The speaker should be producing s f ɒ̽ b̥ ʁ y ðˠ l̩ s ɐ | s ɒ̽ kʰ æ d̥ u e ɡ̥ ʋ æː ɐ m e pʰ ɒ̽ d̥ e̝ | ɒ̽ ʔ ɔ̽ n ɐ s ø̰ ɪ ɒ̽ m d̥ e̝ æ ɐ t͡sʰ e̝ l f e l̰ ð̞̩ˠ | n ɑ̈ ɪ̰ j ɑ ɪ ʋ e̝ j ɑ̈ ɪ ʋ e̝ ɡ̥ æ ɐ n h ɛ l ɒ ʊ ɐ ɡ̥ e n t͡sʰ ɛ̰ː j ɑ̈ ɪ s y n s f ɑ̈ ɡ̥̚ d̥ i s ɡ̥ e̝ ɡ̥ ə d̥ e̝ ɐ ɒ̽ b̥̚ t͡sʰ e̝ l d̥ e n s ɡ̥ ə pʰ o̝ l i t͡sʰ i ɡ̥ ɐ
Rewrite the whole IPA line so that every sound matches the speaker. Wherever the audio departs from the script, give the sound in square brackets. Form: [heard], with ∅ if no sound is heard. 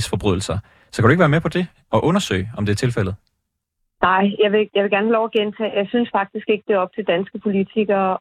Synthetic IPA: s f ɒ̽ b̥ ʁ y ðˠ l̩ s ɐ | s ɒ̽ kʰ æ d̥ u e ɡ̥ ʋ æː ɐ m e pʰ ɒ̽ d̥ e̝ | ɒ̽ ʔ ɔ̽ n ɐ s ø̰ ɪ ɒ̽ m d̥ e̝ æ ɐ t͡sʰ e̝ l f e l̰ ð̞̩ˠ | n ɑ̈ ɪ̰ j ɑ ɪ ʋ e̝ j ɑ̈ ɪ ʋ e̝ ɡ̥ æ ɐ n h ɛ l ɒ ʊ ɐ ɡ̥ e n t͡sʰ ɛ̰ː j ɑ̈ ɪ s y n s f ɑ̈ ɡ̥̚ d̥ i s ɡ̥ e̝ ɡ̥ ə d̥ e̝ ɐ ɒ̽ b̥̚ t͡sʰ e̝ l d̥ [æ] n s ɡ̥ ə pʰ o̝ l i t͡sʰ i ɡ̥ ɐ